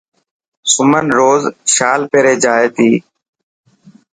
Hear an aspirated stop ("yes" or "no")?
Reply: no